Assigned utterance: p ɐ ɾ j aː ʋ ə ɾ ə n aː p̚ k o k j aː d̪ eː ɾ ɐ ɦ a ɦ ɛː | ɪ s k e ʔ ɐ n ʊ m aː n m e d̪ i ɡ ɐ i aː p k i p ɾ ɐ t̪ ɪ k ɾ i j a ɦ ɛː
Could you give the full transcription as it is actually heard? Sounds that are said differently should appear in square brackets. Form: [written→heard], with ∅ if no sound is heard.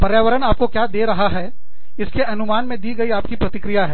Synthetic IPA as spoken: p ɐ ɾ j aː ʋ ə ɾ ə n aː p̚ k o k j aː d̪ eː ɾ ɐ ɦ a ɦ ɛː | ɪ s k e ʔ ɐ n ʊ m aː n m [e→ẽ] d̪ i ɡ ɐ i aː p k i p ɾ ɐ t̪ ɪ k ɾ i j a ɦ ɛː